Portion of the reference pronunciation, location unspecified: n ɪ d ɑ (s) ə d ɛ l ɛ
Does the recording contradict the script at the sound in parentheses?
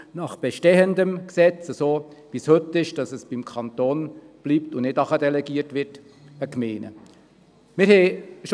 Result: yes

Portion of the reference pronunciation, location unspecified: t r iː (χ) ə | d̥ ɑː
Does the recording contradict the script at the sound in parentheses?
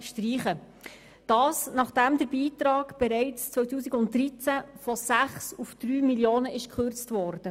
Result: no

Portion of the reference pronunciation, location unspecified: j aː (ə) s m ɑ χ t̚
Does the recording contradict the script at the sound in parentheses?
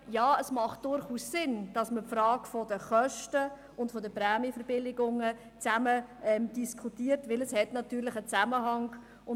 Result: no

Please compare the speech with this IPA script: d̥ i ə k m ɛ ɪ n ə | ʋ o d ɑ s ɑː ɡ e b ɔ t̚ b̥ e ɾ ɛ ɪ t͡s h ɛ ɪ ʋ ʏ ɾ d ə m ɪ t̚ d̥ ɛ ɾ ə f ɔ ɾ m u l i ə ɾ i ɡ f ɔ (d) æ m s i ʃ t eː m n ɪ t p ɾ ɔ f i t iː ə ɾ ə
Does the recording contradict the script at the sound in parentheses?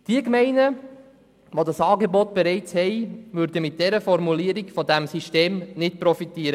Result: no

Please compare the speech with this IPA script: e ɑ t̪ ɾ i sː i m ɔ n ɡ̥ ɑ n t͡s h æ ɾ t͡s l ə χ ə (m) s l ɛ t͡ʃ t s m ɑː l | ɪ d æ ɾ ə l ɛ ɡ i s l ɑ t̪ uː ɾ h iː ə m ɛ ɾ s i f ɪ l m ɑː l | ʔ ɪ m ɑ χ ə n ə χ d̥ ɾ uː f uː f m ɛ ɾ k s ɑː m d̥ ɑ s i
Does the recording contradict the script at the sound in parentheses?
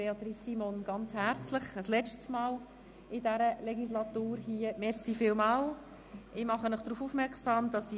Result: yes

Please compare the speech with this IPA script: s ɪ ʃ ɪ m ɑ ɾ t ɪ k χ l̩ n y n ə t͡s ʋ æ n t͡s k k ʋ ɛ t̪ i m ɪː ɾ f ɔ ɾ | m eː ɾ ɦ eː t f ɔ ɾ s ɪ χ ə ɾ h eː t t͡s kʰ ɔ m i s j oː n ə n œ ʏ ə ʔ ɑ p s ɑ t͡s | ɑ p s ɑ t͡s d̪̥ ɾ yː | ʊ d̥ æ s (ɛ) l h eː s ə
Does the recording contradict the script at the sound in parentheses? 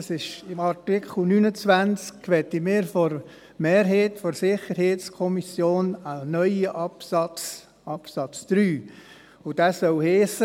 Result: yes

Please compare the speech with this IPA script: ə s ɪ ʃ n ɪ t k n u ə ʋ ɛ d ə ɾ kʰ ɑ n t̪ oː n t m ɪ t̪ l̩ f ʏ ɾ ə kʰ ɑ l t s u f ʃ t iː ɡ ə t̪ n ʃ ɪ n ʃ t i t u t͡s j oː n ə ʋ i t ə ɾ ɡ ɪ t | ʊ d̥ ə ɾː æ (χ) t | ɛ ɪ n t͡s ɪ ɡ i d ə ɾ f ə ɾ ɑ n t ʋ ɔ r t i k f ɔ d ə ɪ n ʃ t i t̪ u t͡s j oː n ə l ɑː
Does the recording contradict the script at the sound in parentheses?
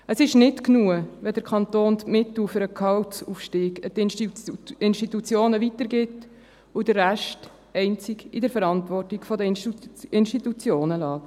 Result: yes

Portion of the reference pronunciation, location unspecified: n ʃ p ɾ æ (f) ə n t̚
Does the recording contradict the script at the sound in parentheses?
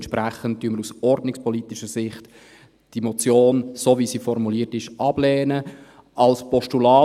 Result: yes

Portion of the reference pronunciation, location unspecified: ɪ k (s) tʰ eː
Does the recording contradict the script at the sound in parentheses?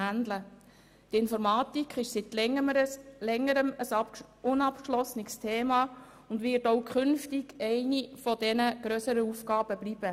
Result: no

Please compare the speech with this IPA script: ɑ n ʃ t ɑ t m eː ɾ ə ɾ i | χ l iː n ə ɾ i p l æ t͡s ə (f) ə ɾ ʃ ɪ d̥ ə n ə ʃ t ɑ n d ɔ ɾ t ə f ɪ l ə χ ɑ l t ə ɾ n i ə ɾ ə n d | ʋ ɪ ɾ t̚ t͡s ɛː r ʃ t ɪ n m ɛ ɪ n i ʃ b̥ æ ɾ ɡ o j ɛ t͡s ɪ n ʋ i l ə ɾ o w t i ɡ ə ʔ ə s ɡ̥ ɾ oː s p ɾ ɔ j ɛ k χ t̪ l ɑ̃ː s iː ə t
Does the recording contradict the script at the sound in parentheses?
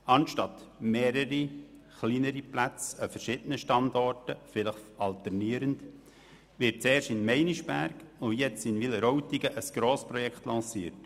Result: no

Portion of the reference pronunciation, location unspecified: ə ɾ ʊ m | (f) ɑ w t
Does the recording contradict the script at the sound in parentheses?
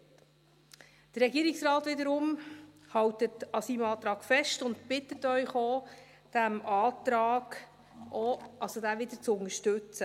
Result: yes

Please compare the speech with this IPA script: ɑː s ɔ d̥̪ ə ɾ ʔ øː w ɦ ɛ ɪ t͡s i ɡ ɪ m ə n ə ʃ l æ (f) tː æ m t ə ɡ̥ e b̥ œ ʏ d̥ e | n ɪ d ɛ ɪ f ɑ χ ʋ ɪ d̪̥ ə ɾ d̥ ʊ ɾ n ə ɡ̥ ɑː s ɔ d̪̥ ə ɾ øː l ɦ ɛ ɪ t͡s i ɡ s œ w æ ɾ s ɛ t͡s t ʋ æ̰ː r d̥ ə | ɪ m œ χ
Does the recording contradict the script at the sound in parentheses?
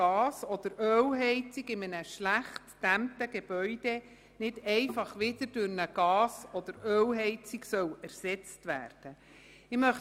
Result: yes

